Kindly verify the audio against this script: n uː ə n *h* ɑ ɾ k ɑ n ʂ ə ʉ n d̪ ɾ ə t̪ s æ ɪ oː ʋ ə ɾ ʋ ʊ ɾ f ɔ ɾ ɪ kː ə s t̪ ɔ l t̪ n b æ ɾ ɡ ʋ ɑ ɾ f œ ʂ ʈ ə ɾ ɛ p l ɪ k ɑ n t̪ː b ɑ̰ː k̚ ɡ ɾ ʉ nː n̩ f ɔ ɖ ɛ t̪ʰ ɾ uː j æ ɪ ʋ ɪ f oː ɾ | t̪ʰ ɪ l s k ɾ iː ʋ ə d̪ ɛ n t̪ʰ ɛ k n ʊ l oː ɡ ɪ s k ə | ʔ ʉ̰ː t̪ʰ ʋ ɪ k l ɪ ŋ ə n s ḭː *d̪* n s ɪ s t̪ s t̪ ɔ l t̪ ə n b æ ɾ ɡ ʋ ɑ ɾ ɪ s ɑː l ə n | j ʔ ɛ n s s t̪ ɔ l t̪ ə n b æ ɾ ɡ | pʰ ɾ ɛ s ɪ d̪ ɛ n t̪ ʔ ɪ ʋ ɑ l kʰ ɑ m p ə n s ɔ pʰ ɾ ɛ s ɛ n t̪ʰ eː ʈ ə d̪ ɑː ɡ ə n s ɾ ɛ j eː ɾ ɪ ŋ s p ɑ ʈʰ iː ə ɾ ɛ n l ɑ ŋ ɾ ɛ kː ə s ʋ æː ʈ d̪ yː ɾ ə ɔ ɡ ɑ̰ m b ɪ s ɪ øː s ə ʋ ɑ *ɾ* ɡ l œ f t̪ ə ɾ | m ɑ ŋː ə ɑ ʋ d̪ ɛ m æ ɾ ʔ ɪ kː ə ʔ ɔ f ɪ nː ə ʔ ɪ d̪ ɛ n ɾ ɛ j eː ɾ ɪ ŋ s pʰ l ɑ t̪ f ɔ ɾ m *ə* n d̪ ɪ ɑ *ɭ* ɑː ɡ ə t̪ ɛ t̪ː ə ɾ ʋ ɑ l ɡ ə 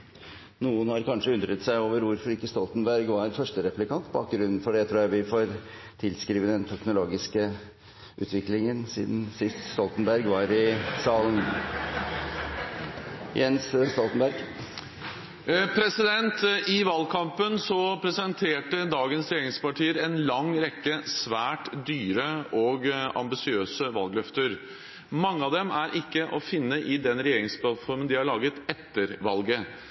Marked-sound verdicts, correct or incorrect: correct, correct, incorrect, correct, correct

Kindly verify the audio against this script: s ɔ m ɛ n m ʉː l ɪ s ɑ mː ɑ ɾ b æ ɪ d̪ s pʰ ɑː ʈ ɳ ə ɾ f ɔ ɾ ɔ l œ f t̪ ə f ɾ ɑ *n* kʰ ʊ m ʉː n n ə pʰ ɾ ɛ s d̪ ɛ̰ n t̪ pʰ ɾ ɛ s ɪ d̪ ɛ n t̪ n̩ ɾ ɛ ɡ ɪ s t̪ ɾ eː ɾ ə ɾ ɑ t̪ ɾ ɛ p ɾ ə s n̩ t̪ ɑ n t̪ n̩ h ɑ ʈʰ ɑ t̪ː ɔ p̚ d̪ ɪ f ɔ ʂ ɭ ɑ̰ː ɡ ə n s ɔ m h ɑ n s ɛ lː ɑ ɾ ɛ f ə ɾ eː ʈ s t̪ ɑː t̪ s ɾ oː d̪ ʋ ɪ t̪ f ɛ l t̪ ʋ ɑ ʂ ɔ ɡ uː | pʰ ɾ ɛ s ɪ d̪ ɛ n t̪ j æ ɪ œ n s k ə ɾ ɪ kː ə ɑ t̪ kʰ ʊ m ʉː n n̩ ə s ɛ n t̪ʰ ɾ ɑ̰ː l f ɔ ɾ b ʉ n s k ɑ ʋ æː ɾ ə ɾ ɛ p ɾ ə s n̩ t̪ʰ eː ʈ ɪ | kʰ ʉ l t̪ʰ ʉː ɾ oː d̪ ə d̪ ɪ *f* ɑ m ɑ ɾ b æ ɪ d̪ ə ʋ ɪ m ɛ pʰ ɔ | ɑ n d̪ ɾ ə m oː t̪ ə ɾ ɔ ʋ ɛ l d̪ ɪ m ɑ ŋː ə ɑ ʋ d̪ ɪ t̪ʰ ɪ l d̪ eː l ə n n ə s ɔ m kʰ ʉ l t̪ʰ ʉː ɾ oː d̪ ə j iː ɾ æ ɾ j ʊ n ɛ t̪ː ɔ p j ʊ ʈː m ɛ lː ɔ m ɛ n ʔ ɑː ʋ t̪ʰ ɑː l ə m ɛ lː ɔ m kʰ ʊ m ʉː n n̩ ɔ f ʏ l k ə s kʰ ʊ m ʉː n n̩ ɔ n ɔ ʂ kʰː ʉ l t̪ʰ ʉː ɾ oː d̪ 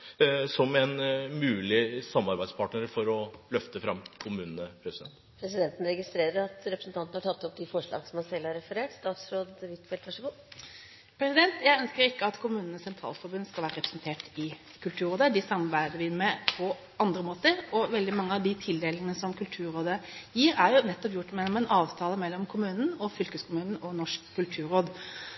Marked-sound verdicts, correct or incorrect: incorrect, incorrect

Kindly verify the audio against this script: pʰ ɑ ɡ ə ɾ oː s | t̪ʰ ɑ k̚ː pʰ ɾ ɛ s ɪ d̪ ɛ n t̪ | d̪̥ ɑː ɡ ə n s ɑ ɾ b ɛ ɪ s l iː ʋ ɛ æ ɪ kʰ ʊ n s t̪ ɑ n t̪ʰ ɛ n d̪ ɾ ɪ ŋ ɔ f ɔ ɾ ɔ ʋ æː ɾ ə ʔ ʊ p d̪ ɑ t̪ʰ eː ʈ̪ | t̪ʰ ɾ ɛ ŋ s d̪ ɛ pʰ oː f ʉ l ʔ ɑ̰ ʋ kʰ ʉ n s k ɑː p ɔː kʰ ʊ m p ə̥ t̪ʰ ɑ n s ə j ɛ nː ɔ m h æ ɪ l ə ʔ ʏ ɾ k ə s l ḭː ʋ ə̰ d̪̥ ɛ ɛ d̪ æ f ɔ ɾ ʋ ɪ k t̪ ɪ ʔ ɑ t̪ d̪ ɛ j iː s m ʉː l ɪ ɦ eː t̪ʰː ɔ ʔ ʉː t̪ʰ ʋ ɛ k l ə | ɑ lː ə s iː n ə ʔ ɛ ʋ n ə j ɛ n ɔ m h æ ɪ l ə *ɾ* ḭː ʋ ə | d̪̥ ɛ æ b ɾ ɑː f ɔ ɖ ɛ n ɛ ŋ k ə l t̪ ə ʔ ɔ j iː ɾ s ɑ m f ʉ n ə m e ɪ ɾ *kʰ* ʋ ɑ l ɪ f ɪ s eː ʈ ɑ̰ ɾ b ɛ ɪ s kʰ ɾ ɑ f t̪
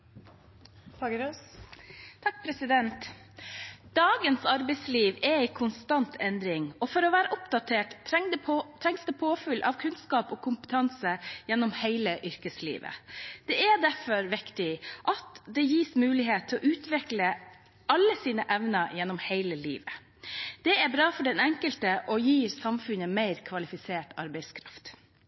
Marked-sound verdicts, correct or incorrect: incorrect, correct

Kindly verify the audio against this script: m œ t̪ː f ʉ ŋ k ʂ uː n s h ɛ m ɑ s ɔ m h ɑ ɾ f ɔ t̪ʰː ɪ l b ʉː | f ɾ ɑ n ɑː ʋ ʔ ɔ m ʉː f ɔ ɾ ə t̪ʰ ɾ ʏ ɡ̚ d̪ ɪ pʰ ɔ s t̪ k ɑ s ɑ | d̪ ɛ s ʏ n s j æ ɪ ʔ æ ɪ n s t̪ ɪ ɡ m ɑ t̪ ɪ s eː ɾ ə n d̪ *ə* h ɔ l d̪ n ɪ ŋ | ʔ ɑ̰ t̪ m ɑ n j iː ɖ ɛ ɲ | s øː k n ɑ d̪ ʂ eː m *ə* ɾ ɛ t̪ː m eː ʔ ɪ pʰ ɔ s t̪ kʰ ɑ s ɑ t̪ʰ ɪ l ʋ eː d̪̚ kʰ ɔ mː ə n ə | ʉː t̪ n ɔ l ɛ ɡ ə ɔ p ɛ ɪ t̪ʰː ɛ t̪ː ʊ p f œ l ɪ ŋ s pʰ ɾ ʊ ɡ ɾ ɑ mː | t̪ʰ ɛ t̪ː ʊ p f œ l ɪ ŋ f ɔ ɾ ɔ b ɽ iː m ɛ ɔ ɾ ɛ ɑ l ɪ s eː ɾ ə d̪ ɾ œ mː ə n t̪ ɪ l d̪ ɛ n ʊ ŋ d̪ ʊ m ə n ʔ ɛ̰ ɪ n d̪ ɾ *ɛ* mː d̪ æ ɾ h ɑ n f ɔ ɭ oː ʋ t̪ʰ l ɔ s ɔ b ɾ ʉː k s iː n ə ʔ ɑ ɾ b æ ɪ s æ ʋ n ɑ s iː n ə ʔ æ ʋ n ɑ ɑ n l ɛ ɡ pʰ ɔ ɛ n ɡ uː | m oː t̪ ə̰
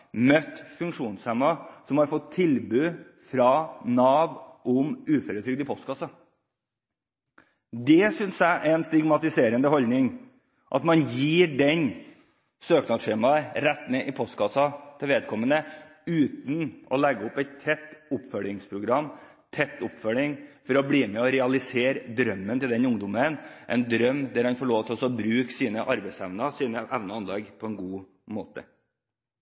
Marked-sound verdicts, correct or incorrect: correct, incorrect, incorrect

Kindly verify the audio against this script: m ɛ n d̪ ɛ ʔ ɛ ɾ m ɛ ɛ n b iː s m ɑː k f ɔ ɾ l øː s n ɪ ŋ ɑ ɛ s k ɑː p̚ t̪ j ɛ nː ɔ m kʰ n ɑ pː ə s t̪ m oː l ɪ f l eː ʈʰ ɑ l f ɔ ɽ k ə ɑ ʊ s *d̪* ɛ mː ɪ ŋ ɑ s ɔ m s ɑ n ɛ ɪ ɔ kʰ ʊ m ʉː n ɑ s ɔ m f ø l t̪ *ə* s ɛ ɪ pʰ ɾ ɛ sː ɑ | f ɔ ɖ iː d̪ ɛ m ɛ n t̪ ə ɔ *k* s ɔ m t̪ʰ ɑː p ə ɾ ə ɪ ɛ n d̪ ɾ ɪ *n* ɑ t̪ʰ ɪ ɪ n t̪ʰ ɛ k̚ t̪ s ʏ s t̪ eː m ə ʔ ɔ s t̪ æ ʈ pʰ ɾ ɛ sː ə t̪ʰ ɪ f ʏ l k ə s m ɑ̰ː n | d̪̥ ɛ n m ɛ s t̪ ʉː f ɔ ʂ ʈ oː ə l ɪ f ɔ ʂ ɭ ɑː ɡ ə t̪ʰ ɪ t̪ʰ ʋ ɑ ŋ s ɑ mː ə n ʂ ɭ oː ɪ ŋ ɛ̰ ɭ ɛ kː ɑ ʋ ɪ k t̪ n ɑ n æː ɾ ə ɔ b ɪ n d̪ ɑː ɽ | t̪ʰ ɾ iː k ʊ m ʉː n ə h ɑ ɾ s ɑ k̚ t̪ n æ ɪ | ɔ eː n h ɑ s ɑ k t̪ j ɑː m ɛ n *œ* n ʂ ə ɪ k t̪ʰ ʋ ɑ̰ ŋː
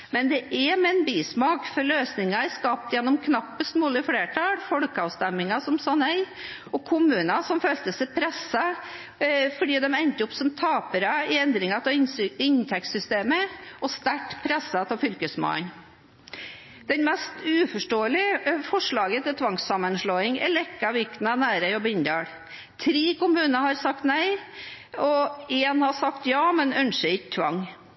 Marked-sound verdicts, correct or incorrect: incorrect, correct, incorrect, incorrect, correct

